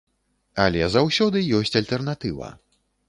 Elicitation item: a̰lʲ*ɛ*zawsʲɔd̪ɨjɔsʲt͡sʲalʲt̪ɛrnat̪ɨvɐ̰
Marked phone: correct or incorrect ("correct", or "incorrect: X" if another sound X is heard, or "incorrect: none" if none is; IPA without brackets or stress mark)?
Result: correct